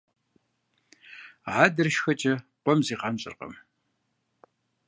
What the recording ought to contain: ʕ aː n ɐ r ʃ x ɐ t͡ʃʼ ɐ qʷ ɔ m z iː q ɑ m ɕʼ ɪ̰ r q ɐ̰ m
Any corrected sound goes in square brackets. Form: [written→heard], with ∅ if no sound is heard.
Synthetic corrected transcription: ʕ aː [n→d] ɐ r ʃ x ɐ t͡ʃʼ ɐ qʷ ɔ m z iː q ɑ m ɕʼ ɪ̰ r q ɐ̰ m